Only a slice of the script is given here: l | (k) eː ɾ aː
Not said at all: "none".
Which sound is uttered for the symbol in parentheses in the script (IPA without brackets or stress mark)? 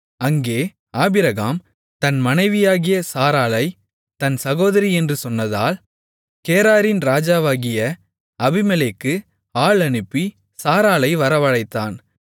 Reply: k